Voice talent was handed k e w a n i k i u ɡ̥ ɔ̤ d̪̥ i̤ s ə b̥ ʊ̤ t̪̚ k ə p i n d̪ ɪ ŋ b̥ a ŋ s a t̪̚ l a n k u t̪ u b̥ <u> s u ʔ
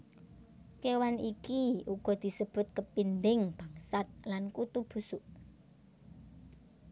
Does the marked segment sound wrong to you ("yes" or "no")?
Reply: no